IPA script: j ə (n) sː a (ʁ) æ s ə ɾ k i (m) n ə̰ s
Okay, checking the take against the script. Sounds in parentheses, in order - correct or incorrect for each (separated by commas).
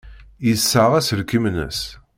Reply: incorrect, correct, correct